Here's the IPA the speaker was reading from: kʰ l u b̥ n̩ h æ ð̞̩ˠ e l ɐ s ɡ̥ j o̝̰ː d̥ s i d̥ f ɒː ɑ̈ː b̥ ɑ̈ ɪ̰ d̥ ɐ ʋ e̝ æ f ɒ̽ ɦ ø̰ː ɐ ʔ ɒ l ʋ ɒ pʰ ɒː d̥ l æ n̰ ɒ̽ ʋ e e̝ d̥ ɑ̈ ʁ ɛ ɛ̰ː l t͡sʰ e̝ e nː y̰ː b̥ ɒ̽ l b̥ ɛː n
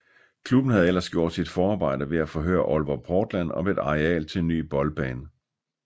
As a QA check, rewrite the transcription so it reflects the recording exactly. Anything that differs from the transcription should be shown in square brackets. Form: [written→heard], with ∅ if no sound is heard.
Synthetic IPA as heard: kʰ l u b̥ n̩ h æ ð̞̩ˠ e l ɐ s ɡ̥ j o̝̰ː d̥ s i d̥ f ɒː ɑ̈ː b̥ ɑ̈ ɪ̰ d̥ ɐ ʋ e̝ æ f ɒ̽ ɦ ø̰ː ɐ ʔ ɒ l ʋ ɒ pʰ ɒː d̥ l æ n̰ ɒ̽ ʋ e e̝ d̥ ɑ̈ ʁ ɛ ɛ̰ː l t͡sʰ e̝ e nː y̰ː b̥ ɒ̽ l b̥ ɛː n